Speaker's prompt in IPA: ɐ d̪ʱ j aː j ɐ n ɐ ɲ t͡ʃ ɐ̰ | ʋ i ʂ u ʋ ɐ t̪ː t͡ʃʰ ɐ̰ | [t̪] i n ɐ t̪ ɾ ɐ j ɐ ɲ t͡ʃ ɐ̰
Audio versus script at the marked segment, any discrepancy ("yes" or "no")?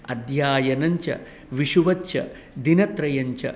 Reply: yes